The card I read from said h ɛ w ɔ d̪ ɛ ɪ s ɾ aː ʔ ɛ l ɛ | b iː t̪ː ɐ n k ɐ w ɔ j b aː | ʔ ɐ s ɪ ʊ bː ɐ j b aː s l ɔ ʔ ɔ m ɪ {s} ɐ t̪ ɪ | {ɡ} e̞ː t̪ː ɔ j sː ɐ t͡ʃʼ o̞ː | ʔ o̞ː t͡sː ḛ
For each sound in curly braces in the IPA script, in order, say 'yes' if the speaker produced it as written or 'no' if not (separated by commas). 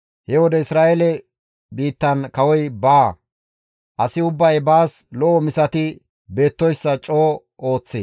yes, no